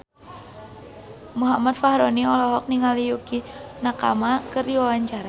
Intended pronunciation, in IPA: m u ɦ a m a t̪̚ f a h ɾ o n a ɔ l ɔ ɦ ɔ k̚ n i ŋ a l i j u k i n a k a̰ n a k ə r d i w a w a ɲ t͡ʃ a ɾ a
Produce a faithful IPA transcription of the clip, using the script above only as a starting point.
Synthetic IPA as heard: m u ɦ a m a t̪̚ f a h ɾ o n i ɔ l ɔ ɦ ɔ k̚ n i ŋ a l i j u k i n a k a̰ m a k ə r d i w a w a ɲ t͡ʃ a ɾ a